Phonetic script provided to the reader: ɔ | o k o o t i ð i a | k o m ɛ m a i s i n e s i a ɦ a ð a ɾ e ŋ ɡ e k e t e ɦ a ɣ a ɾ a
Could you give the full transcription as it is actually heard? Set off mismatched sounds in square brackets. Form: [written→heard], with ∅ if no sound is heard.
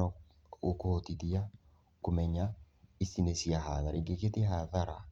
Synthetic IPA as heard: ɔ | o k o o t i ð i a | k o m ɛ [m→ɲ] a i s i n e s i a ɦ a ð a ɾ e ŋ ɡ e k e t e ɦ a [ɣ→ð] a ɾ a